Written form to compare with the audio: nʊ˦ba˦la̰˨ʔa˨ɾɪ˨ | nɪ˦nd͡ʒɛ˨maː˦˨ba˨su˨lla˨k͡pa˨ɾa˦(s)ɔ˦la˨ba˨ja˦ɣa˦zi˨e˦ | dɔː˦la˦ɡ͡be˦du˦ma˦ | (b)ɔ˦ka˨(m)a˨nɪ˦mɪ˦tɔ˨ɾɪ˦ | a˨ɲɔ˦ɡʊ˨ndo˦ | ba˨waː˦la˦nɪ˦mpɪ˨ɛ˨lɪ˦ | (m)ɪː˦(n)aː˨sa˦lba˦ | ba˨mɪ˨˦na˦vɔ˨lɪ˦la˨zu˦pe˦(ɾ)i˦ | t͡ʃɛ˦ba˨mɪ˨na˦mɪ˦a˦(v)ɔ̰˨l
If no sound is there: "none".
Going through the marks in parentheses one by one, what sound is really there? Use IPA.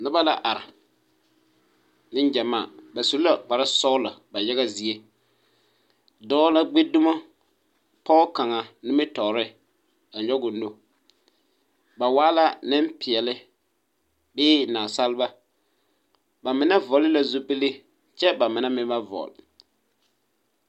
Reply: s, p, ŋ, b, n, l, v

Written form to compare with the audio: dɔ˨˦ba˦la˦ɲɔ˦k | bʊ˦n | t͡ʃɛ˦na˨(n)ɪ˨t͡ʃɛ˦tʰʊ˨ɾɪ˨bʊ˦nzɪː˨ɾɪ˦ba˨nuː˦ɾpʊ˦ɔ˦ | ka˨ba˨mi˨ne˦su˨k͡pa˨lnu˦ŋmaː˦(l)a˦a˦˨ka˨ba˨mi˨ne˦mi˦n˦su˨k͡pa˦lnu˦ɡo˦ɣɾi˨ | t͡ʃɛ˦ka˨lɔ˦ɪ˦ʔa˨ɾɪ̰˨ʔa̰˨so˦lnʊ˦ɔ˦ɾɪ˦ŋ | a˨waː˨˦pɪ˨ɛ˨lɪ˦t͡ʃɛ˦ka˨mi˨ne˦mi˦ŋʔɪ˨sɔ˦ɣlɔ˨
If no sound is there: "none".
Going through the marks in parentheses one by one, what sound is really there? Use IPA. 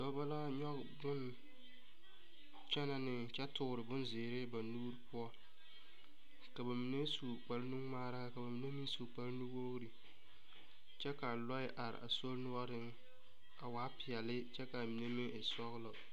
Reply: n, ɾ

